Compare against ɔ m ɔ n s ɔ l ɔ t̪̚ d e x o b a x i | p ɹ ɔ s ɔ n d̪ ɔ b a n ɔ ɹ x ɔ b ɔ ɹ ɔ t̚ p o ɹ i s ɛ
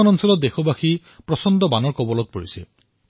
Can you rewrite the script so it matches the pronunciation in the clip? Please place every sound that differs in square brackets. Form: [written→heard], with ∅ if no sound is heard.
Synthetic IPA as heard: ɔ [m→n] ɔ n s ɔ l ɔ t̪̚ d e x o b a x i | p ɹ ɔ s ɔ n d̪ ɔ b a n ɔ ɹ [x→k] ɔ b ɔ [ɹ→l] ɔ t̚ p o ɹ i s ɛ